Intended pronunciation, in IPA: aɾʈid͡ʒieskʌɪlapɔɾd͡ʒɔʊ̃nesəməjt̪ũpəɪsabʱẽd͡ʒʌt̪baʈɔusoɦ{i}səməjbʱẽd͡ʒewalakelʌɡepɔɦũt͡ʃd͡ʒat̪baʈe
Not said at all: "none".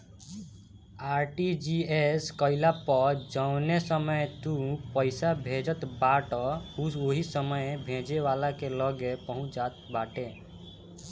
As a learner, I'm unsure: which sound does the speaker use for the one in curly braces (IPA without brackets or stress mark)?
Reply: i